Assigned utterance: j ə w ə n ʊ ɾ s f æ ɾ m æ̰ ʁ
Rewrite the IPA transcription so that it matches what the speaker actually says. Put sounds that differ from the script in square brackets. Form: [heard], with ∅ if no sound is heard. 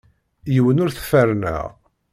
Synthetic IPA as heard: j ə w ə n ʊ ɾ [θ] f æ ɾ [n] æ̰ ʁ